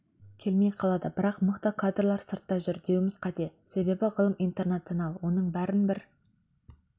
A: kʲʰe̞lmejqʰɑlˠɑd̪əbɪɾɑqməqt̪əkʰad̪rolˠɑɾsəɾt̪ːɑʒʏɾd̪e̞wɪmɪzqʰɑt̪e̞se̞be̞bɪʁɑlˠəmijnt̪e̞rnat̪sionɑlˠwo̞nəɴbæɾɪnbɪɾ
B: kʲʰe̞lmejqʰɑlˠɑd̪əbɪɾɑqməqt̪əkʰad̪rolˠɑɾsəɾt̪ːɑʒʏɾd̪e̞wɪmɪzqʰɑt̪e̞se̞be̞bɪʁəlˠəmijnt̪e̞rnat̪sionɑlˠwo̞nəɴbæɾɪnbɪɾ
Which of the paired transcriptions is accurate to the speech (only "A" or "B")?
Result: B